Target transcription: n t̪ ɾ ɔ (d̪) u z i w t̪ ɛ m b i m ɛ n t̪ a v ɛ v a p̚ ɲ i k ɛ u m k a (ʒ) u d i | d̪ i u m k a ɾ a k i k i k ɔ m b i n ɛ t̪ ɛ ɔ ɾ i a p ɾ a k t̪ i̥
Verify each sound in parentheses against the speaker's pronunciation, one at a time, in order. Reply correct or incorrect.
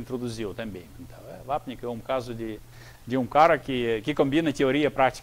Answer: correct, incorrect

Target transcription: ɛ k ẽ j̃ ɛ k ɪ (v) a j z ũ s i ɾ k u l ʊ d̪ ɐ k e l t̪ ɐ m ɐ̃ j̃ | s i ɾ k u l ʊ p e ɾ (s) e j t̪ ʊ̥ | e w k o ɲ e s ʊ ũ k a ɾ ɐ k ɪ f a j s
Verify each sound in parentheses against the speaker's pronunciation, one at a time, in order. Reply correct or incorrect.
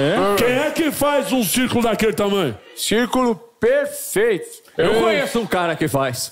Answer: incorrect, incorrect

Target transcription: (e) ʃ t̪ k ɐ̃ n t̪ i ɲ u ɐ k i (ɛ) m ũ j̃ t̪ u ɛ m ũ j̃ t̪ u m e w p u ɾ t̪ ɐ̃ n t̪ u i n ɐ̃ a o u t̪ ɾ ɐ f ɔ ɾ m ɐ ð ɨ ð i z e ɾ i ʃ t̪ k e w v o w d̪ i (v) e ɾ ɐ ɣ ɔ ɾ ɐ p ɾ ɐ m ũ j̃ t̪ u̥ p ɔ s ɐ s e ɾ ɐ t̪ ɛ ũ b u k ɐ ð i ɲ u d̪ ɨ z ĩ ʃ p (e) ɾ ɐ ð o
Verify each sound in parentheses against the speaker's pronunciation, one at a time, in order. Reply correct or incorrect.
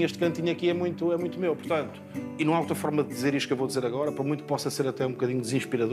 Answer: correct, correct, incorrect, incorrect

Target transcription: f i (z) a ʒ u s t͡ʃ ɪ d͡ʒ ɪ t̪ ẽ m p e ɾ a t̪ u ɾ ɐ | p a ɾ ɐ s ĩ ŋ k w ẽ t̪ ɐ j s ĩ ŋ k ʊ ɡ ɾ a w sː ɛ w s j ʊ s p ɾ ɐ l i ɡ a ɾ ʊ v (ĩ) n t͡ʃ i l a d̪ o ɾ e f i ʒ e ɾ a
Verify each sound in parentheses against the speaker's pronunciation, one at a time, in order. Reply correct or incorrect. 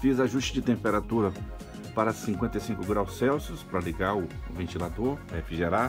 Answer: correct, incorrect

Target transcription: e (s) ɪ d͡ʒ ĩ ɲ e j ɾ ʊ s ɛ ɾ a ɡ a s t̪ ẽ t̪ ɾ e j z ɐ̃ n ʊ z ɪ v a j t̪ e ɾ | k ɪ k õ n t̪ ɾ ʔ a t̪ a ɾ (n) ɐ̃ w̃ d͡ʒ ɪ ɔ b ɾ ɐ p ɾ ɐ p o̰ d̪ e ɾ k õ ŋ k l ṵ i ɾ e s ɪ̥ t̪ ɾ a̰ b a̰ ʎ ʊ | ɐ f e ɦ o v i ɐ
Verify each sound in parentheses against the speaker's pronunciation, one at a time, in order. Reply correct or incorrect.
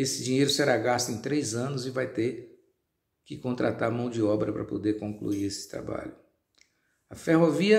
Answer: correct, incorrect

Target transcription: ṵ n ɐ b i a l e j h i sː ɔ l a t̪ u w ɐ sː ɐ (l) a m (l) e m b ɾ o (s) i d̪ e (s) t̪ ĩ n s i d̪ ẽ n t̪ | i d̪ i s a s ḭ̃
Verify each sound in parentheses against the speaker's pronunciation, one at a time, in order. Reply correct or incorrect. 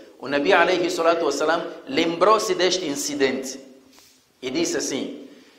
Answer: correct, correct, correct, incorrect

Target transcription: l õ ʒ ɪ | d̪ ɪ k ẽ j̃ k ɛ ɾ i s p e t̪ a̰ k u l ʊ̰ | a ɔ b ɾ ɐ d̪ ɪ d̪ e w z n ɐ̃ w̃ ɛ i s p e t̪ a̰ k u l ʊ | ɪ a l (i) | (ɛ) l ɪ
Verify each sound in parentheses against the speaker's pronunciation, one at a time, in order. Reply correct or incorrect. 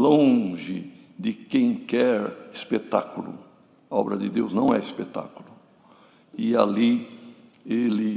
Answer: correct, incorrect

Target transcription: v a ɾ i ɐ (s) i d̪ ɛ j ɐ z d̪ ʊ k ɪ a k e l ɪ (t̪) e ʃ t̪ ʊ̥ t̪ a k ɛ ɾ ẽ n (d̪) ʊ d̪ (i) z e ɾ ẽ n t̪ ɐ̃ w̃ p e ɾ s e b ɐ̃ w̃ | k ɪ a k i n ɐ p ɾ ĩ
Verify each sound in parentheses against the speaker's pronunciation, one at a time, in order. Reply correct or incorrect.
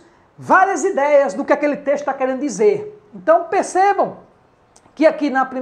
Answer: incorrect, correct, correct, correct

